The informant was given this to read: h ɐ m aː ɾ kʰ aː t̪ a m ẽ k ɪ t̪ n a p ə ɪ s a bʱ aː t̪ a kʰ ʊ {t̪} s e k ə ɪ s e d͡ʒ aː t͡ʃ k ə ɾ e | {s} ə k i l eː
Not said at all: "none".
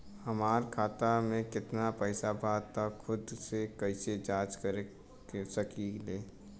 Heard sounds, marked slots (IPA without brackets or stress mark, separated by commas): d̪, s